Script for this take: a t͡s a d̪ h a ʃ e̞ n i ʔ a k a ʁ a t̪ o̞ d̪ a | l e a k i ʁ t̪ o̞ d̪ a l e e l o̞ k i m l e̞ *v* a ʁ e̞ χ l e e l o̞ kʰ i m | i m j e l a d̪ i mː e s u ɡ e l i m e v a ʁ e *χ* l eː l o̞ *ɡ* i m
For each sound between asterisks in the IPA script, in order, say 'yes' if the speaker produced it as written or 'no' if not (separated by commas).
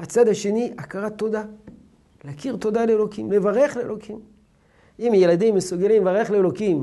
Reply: yes, yes, no